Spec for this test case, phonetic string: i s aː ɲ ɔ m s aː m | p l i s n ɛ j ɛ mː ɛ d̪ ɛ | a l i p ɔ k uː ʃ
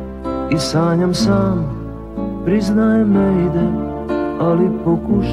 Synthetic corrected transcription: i s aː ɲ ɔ m s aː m | p ɾ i z n a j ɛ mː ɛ d̪ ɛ | a l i p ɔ k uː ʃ